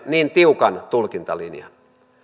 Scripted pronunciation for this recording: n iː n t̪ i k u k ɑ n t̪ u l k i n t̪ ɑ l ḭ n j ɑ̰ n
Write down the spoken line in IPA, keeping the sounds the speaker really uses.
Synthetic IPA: n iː n t̪ i u k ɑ n t̪ u l k i n t̪ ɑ l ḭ n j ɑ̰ n